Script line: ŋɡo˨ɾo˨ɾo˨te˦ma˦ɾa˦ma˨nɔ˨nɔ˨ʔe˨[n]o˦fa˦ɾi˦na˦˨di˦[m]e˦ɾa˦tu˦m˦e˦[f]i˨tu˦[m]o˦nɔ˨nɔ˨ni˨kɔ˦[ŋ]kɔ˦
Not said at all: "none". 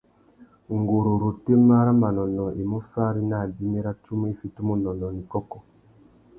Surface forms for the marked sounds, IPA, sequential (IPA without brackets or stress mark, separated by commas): m, m, f, m, none